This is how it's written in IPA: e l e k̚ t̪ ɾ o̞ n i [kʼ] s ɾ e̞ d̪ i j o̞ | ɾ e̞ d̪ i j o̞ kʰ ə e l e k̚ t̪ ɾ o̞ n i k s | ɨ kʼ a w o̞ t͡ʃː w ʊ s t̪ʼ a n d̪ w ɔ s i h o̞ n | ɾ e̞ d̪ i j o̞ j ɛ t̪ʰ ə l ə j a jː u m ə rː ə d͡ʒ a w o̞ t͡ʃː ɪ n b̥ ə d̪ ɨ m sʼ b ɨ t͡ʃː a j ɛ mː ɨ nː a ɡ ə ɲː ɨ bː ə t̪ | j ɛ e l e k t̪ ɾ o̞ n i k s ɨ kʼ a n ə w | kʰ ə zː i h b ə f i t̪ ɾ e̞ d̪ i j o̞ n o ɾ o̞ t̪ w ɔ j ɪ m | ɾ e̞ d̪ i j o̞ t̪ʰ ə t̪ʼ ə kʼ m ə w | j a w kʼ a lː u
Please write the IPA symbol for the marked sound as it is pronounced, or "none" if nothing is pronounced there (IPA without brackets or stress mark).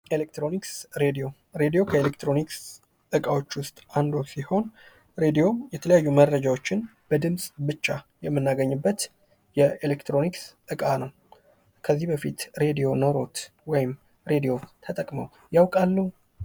k